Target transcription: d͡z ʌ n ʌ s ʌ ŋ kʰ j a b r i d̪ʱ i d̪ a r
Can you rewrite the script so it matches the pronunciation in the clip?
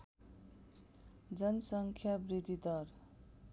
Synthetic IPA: d͡z ʌ n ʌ s ʌ ŋ kʰ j a b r i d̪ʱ i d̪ ʌ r